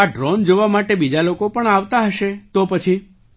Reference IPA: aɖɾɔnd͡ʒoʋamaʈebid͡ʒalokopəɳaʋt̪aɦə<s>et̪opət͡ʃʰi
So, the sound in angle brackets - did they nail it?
no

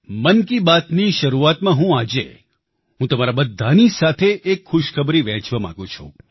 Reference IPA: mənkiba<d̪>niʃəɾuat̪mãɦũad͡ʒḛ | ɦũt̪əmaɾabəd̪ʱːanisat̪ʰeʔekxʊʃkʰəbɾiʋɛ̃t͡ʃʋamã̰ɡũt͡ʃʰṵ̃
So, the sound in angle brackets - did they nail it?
no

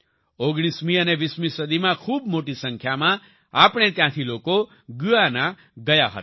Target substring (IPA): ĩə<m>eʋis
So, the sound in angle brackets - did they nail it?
no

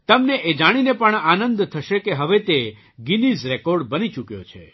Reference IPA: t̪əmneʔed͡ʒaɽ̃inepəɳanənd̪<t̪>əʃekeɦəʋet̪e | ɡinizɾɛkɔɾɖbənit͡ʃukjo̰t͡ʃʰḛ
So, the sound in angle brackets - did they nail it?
no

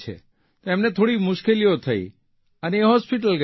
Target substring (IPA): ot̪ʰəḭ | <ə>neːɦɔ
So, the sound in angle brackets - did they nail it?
yes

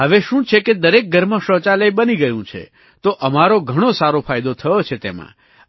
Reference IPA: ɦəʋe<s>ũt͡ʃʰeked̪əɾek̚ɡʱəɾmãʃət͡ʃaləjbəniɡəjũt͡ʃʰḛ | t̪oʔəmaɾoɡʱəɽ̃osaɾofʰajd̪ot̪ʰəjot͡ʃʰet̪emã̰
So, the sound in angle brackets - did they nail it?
no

